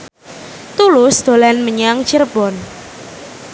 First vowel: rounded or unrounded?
rounded